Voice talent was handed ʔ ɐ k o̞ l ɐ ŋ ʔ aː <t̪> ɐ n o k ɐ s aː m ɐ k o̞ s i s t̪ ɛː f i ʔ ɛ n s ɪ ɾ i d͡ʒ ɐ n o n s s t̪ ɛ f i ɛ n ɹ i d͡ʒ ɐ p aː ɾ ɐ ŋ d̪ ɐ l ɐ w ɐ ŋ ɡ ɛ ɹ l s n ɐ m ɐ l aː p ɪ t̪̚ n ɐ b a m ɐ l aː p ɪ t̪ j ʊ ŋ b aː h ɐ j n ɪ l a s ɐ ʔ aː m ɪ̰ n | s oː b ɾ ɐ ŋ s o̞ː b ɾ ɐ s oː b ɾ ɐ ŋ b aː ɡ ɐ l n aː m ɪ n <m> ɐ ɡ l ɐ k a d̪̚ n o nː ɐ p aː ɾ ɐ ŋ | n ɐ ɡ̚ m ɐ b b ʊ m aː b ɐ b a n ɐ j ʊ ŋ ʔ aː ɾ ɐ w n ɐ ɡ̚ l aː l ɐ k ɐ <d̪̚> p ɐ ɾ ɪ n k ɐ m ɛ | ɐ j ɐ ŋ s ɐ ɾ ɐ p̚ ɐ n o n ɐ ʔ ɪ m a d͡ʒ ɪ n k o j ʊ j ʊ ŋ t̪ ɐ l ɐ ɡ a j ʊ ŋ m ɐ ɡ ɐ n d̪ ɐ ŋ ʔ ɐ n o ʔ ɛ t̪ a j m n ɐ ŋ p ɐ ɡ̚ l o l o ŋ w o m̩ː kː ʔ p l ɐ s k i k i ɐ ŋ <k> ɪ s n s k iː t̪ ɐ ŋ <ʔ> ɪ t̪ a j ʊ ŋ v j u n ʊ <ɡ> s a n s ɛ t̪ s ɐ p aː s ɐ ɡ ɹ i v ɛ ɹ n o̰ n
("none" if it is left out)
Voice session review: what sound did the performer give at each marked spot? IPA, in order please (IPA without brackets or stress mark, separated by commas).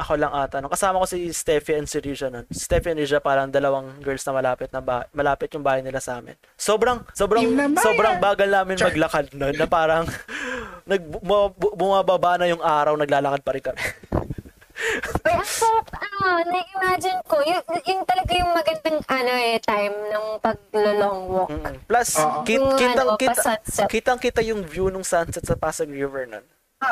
t̪, m, d̪̚, k, k, ŋ